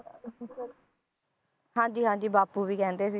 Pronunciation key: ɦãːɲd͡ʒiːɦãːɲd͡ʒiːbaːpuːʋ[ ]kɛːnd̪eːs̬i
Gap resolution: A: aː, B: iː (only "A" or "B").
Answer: B